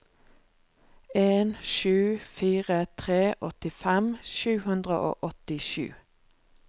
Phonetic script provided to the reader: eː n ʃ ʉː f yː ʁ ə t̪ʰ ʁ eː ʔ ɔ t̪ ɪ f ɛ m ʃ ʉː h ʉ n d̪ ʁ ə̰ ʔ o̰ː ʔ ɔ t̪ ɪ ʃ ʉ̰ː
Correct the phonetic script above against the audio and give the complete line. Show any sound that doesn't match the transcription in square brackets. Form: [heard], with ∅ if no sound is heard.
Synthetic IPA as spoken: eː n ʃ ʉː f [iː] ʁ ə t̪ʰ ʁ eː ʔ ɔ t̪ ɪ f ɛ m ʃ ʉː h ʉ n d̪ ʁ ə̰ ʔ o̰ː ʔ ɔ t̪ ɪ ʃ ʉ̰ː